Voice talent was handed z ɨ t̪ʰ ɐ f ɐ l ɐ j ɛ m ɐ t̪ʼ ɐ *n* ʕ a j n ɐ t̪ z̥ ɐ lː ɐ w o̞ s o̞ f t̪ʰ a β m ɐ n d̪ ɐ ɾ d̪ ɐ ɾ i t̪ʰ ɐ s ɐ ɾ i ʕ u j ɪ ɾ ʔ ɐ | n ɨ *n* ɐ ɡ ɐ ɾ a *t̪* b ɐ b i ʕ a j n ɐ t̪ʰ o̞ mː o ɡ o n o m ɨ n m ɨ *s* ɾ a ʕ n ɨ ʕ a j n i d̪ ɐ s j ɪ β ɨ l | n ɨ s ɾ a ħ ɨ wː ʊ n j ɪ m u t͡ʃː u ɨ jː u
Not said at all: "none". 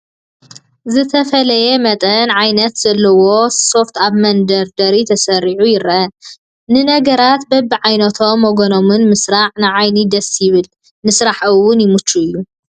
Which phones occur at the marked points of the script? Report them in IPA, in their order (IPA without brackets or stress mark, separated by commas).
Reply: n, n, t̪, s